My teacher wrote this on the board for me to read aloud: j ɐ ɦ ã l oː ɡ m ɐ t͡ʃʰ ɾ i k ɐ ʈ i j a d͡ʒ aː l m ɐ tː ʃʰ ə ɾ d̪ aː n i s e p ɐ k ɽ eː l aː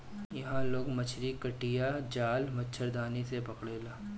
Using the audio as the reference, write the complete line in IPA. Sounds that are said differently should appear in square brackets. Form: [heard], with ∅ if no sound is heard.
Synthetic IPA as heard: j ɐ ɦ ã l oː ɡ m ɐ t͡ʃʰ ɾ i k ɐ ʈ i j a d͡ʒ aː l m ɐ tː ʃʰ ə ɾ d̪ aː n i s e p ɐ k ɽ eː l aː